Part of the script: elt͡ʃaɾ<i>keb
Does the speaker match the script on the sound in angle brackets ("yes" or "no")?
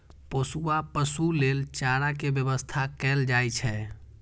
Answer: no